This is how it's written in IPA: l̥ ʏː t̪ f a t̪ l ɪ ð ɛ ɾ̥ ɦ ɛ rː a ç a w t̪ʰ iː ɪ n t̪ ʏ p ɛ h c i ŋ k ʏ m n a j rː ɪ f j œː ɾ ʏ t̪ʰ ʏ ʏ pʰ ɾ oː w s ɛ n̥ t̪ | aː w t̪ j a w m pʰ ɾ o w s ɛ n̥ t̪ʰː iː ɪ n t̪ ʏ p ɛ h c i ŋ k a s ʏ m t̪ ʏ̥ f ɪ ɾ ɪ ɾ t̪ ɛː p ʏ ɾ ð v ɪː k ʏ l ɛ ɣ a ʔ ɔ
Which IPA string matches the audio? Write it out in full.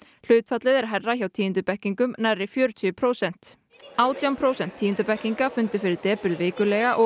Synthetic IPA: l̥ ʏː t̪ f a t̪ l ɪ ð ɛ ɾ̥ ɦ ɛ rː a ç a w t̪ʰ iː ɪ n t̪ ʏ p ɛ h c i ŋ k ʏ m n a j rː ɪ f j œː ɾ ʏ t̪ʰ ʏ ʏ pʰ ɾ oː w s ɛ n̥ t̪ | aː w t̪ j a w m pʰ ɾ o w s ɛ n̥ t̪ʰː iː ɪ n t̪ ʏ p ɛ h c i ŋ k a f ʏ n t̪ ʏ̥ f ɪ ɾ ɪ ɾ t̪ ɛː p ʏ ɾ ð v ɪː k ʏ l ɛ ɣ a ʔ ɔ